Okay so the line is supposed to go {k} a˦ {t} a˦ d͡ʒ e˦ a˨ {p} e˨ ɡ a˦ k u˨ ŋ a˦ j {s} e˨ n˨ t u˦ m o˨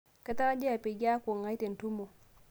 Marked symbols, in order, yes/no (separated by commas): yes, yes, yes, no